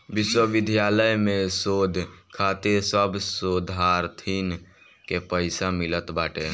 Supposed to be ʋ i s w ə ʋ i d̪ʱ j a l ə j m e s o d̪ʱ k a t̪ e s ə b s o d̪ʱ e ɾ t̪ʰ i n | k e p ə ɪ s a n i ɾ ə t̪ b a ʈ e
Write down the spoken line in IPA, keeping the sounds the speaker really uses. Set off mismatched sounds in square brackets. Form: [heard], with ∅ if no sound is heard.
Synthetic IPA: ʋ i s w ə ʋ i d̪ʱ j a l ə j m e s o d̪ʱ [kʰ] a t̪ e s ə b s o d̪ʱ [a] ɾ t̪ʰ i n | k e p ə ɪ s a [m] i [l] ə t̪ b a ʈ e